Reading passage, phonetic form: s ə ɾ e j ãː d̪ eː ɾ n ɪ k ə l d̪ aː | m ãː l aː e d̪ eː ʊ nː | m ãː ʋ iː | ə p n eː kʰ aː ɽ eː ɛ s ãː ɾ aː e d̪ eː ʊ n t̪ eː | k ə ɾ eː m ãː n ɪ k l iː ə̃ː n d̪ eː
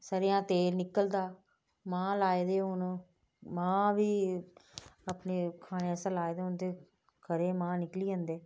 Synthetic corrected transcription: s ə ɾ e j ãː t̪ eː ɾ n ɪ k ə l d̪ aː | m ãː l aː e d̪ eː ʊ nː | m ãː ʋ iː | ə p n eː kʰ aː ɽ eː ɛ s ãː l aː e d̪ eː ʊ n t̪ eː | k ə ɾ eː m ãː n ɪ k l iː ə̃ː n d̪ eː